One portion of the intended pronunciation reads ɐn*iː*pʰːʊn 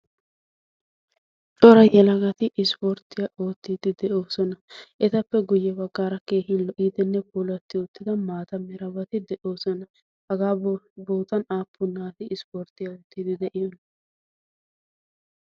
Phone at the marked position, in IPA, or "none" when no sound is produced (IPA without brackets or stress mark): aː